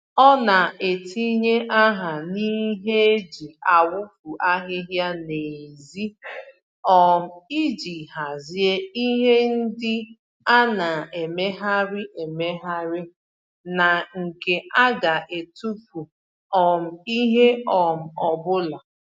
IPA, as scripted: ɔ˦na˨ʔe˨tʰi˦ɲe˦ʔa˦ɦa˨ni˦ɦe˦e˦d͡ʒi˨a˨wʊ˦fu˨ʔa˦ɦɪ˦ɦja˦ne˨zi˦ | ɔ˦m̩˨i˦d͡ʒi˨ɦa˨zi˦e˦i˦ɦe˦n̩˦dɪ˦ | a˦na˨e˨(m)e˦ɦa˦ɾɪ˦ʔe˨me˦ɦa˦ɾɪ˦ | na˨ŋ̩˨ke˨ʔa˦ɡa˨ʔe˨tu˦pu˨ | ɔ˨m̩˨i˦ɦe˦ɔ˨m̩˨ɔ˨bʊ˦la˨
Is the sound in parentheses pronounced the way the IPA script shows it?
yes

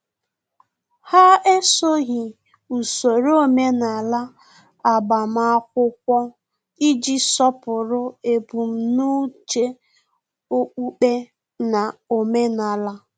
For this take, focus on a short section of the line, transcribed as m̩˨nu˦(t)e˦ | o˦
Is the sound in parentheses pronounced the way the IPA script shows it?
no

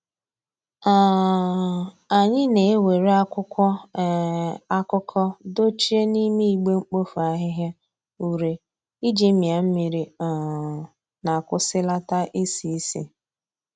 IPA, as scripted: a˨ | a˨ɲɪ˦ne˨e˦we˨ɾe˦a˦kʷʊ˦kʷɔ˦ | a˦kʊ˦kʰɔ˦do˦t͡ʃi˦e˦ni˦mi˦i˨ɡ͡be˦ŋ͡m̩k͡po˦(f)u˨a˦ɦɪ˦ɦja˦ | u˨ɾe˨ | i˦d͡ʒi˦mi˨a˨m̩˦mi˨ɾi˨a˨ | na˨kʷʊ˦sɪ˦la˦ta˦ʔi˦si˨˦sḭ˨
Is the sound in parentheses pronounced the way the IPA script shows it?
yes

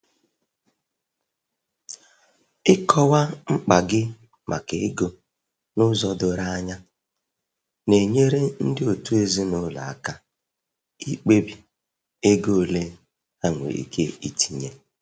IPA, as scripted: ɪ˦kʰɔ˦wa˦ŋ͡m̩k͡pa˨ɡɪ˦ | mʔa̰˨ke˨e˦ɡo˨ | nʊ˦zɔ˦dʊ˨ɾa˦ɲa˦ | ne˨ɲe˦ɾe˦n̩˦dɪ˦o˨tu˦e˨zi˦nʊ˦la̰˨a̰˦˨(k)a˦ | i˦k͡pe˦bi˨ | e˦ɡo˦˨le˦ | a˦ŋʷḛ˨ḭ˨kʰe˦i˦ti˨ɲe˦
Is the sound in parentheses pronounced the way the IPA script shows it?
yes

